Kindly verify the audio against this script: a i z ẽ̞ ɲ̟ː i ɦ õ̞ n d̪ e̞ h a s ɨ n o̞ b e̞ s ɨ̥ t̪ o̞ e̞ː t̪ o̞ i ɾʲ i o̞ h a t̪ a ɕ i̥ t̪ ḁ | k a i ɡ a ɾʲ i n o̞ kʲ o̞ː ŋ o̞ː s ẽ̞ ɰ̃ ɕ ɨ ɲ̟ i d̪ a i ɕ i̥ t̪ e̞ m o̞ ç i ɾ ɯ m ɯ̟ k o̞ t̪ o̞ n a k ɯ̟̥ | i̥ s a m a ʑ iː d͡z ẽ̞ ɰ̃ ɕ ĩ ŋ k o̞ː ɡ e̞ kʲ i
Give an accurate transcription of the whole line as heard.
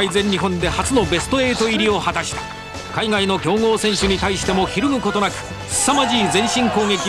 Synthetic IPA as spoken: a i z ẽ̞ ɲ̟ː i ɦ õ̞ n d̪ e̞ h a t͡s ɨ n o̞ b e̞ s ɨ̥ t̪ o̞ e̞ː t̪ o̞ i ɾʲ i o̞ h a t̪ a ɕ i̥ t̪ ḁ | k a i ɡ a i n o̞ kʲ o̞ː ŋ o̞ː s ẽ̞ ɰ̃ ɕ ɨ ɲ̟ i t̪ a i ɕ i̥ t̪ e̞ m o̞ ç i ɾ ɯ m ɯ̟ k o̞ t̪ o̞ n a k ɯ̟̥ | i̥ s a m a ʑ iː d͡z ẽ̞ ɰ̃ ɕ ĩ ŋ k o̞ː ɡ e̞ kʲ i